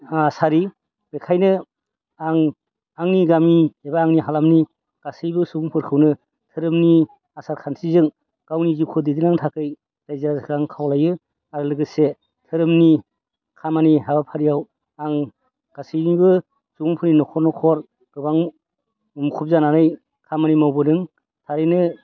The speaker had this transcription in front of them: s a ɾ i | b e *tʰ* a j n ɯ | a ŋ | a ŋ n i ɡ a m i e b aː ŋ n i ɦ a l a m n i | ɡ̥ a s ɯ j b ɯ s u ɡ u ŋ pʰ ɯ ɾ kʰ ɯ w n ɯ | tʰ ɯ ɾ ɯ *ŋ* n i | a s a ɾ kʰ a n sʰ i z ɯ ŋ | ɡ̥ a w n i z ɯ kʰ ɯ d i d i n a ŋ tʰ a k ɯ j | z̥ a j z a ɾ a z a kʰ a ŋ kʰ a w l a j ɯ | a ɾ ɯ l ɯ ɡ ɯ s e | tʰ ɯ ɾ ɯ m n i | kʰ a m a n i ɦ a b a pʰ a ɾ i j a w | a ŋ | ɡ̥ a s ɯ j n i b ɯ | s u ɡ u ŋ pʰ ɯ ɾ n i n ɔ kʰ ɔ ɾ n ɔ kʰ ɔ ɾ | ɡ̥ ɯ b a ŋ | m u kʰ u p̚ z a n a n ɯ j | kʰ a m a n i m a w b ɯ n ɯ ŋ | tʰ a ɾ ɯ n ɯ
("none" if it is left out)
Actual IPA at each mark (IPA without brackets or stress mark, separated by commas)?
kʰ, m